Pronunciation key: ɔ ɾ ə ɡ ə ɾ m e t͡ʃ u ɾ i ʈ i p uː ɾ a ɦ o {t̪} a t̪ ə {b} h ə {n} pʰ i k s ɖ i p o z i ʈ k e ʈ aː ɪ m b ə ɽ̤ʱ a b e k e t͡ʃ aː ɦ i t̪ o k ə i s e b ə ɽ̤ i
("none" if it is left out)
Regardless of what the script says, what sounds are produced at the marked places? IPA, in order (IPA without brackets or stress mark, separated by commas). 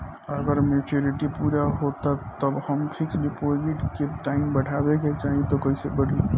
t̪, b, m